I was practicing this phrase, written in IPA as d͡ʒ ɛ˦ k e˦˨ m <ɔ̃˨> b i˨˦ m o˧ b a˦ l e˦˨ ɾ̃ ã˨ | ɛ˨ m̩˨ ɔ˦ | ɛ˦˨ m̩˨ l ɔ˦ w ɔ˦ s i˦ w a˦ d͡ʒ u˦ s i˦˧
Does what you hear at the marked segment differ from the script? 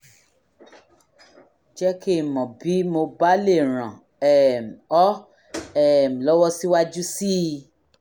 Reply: no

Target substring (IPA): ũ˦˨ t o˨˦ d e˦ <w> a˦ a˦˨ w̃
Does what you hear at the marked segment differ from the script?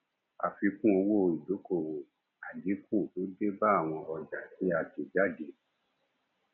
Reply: yes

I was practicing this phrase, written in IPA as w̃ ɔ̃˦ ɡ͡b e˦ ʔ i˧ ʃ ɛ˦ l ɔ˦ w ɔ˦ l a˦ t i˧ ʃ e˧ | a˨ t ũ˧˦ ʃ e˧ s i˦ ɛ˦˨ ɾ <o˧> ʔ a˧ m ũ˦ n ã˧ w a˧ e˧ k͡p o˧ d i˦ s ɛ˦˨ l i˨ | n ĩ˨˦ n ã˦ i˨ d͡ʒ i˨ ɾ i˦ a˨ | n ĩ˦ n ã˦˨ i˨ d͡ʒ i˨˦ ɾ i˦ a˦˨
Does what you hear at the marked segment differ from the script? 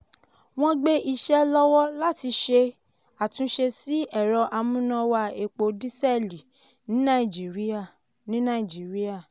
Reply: yes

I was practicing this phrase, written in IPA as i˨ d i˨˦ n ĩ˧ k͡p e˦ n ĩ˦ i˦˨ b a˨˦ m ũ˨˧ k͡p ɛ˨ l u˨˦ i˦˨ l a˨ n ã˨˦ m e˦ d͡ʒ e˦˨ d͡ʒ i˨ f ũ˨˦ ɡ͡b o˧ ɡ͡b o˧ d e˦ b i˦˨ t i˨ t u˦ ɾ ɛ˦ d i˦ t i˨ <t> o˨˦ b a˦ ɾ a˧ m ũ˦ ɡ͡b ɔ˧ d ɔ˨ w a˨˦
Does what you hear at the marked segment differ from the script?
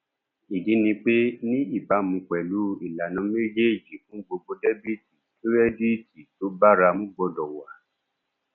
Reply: no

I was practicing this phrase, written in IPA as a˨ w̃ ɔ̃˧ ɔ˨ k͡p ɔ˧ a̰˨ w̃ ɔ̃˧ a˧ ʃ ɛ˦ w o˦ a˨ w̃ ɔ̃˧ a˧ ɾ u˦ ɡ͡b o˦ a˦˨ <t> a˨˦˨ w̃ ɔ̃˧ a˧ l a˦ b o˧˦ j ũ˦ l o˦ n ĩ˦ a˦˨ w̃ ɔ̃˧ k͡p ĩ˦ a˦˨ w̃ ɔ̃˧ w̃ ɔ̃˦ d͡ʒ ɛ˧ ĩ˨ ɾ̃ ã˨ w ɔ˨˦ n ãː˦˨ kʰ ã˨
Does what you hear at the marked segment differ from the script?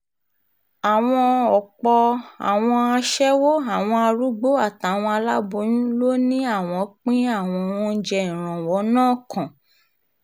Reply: no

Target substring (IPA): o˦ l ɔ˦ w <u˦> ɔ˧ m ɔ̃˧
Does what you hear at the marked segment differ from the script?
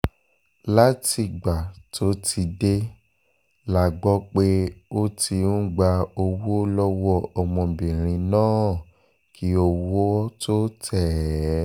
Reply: yes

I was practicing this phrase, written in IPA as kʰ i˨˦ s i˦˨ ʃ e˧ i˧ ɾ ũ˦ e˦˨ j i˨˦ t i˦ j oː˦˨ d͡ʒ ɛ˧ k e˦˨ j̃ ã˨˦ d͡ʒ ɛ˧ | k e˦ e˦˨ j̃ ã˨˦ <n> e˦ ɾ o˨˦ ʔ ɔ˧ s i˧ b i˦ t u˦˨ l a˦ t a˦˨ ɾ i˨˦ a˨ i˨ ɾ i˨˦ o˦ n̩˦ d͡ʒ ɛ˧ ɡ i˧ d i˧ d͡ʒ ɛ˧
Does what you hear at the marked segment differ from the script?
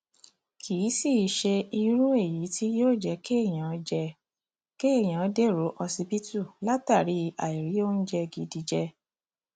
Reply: yes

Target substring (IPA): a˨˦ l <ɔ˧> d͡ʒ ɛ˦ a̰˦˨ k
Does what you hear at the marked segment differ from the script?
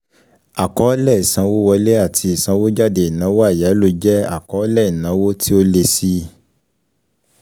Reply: yes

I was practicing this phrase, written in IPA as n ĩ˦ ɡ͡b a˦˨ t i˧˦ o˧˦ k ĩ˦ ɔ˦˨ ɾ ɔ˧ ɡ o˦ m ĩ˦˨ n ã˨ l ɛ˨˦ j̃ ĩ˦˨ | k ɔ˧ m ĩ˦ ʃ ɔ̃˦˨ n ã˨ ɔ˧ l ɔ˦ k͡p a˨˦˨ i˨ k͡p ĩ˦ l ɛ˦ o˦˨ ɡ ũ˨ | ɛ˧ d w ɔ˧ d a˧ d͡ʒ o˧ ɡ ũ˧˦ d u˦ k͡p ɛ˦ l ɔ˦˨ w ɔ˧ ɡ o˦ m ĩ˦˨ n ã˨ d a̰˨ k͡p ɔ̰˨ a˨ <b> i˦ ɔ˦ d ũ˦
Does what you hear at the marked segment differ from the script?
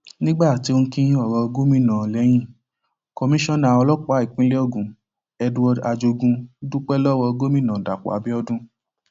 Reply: no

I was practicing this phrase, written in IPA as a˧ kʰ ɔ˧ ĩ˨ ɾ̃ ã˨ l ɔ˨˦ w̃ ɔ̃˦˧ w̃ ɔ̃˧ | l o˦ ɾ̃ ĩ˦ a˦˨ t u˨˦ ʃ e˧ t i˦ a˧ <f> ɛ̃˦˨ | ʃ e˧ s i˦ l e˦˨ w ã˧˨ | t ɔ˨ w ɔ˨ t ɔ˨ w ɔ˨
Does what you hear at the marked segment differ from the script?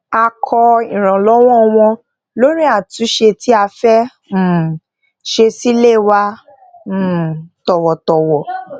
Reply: no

